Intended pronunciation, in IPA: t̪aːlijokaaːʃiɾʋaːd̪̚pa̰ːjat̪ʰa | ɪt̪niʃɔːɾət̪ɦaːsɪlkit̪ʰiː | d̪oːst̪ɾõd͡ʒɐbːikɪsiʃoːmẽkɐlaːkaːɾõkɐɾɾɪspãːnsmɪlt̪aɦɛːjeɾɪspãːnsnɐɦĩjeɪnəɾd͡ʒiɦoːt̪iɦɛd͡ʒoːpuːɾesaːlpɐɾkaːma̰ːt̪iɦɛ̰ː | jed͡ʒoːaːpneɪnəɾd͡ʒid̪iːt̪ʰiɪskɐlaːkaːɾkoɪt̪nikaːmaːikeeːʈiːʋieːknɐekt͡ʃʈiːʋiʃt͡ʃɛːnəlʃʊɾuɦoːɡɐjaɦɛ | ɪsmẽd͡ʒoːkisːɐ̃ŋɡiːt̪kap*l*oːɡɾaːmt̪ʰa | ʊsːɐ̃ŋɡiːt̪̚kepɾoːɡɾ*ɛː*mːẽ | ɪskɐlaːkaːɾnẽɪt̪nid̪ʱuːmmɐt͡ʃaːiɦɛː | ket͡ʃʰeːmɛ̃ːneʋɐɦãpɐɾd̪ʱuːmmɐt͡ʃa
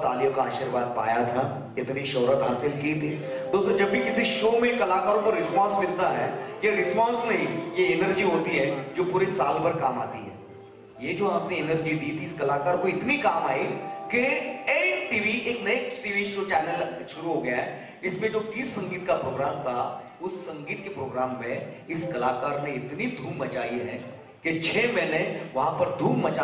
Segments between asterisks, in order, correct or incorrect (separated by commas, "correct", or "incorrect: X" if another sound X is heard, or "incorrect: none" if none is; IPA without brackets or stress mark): incorrect: ɾ, incorrect: aː